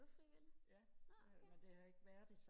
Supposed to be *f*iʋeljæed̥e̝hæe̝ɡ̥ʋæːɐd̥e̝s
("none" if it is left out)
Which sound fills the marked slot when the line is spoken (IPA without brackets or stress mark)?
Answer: f